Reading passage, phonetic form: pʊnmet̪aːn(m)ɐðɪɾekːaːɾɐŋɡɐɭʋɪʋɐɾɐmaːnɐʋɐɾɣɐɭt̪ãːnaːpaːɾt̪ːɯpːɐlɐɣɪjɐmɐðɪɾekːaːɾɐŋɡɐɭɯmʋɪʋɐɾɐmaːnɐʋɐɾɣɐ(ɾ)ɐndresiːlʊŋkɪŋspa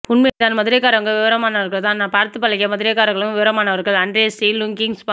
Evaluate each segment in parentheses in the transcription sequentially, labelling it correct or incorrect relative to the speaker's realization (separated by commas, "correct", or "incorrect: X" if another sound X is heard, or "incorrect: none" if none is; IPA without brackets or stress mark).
correct, incorrect: ɭ